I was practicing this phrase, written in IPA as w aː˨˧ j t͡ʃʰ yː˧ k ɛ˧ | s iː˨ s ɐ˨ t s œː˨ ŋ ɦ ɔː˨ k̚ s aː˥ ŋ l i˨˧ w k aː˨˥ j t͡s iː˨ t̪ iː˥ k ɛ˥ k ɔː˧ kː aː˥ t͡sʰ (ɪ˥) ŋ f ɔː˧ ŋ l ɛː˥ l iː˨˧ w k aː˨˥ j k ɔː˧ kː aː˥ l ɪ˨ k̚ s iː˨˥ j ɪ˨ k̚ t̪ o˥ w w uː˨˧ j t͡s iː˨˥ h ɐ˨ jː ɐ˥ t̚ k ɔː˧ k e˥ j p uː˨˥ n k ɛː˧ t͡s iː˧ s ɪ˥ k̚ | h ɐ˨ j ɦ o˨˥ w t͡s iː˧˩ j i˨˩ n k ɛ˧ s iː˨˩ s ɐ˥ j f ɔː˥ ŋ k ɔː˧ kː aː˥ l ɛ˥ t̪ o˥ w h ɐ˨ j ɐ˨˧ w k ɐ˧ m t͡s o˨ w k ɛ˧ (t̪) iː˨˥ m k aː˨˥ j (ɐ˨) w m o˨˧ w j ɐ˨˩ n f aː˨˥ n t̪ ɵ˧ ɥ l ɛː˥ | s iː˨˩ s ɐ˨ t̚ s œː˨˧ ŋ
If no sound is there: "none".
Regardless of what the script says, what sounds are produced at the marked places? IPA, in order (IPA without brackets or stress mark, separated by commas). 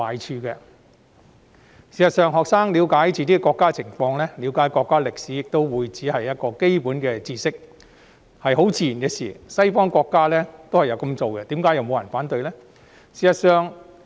ɪ˨˩, t̪, ɐ˨